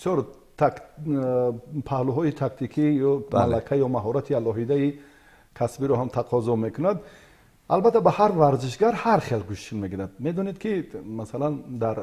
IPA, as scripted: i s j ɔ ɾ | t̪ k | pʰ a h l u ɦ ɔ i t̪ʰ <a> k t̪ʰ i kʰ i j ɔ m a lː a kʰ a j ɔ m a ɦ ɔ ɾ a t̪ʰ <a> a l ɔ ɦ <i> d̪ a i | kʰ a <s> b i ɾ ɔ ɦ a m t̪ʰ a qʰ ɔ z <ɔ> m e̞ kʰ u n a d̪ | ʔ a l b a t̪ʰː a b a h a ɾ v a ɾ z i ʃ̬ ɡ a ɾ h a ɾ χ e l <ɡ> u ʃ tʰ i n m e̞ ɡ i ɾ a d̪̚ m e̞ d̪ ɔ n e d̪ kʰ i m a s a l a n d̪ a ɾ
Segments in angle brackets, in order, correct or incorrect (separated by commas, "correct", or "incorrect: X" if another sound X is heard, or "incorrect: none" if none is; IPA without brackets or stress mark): correct, incorrect: i, correct, correct, correct, correct